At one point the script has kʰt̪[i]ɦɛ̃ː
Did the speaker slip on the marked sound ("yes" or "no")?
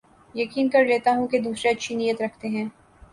yes